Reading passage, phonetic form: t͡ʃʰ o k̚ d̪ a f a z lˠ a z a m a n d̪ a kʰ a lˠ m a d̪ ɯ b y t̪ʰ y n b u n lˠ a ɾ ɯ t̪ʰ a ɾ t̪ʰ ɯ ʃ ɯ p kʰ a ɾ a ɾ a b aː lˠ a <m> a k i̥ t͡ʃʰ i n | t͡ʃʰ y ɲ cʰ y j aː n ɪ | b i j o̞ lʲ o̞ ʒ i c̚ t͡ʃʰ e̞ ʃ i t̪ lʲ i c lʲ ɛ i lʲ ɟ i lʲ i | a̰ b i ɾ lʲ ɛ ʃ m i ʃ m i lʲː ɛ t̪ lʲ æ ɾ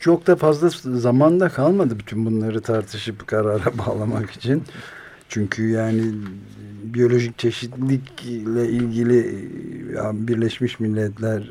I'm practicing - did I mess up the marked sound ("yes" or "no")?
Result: no